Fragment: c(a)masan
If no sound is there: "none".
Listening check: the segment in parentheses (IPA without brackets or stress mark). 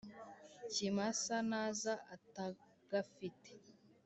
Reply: i